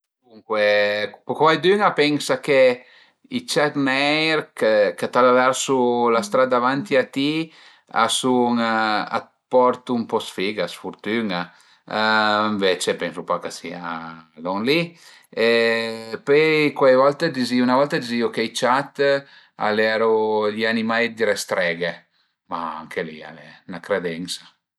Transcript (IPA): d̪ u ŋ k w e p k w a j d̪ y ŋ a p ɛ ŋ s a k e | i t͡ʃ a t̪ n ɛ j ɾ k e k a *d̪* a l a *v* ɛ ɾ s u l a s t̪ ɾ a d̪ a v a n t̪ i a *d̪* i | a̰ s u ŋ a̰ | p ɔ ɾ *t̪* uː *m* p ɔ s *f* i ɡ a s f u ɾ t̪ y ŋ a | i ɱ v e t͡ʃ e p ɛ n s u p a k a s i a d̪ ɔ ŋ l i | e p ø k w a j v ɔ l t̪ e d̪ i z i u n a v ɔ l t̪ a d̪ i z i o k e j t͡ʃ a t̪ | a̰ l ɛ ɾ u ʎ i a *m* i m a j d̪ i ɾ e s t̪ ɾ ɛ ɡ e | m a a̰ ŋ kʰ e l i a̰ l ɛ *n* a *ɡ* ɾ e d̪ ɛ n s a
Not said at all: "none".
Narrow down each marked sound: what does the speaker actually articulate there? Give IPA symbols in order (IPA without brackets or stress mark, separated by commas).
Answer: t̪, v, t̪, t̪, m, f, n, n, k